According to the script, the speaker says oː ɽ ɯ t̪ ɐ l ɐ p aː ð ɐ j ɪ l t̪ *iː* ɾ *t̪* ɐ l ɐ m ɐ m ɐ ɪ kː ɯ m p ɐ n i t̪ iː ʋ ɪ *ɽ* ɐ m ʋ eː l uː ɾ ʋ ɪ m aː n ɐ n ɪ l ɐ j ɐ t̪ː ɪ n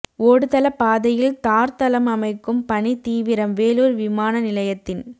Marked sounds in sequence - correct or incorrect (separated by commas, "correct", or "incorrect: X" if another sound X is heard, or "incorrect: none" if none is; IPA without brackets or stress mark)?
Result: incorrect: aː, correct, incorrect: ɾ